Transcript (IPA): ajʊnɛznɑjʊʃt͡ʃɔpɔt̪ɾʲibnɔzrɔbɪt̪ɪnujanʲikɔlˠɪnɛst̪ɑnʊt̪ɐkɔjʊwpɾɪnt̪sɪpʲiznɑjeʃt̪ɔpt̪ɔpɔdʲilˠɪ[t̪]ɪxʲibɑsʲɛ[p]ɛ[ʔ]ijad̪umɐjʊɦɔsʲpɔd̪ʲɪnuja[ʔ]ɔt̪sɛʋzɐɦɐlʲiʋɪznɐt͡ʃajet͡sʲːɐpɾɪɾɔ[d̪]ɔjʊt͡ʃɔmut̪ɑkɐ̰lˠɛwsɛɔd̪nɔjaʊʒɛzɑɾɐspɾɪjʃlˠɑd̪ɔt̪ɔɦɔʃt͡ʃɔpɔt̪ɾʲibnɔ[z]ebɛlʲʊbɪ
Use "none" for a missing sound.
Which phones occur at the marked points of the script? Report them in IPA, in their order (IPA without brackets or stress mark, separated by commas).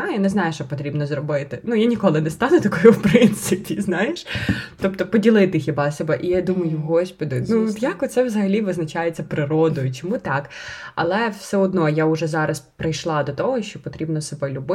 t̪, b, ʔ, k, d̪, s